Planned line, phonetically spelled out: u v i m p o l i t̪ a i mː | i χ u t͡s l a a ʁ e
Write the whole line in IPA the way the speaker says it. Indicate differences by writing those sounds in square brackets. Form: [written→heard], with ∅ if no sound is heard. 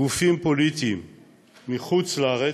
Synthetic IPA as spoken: u [v→f] i m p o l i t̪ [a→i] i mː | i χ u t͡s l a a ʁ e